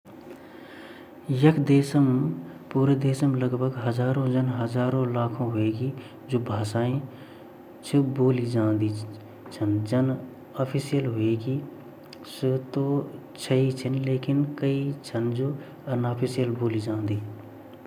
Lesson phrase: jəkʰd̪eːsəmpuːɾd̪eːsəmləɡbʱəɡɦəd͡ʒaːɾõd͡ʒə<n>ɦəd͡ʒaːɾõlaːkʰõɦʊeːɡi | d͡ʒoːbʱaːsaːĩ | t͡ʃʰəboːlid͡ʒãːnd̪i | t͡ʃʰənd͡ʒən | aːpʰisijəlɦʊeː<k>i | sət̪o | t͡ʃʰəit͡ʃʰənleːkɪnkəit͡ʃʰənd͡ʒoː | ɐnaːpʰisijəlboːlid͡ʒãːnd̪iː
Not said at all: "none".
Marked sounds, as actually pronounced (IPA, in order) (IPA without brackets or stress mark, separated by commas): n, ɡ